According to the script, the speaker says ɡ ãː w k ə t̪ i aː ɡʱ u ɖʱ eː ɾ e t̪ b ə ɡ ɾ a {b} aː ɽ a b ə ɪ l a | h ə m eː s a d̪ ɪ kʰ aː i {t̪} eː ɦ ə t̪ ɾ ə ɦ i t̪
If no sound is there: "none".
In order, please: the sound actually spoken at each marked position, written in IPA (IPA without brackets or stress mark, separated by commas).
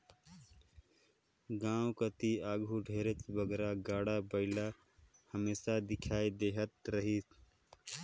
ɡ, d̪